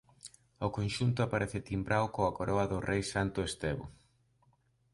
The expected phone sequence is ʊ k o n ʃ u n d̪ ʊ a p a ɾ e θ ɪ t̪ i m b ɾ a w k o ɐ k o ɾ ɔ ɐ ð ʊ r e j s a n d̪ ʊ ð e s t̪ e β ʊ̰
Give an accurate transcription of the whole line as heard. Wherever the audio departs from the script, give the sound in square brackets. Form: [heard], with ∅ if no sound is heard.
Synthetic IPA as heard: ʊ k o n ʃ u n [t̪] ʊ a p a ɾ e θ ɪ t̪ i m b ɾ a w k o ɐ k o ɾ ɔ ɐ ð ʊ r e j s a n [t̪] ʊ [∅] e s t̪ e β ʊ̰